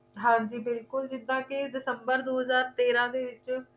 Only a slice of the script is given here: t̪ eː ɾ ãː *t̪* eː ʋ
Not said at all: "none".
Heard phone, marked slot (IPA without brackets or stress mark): d̪